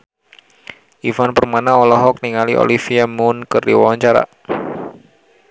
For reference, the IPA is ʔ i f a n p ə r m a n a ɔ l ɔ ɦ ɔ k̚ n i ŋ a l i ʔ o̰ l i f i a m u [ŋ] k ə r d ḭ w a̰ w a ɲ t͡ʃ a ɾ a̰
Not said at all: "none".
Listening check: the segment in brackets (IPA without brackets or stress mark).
n